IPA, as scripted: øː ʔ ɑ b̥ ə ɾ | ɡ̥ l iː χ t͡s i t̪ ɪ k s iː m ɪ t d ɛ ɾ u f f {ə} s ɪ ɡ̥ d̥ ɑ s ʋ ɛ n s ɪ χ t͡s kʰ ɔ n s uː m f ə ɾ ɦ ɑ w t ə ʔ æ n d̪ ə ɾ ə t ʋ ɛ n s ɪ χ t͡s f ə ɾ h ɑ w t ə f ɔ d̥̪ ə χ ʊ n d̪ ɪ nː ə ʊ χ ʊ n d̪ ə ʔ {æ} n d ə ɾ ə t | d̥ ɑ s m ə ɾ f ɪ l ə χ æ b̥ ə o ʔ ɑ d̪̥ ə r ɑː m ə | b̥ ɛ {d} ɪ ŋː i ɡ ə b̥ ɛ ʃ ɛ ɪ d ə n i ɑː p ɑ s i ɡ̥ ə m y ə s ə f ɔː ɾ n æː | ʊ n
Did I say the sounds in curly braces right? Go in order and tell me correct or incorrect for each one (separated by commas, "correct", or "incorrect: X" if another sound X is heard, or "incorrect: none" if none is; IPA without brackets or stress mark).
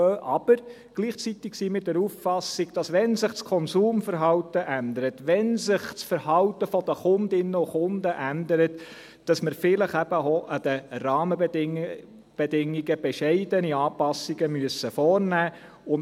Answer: incorrect: ɑ, correct, correct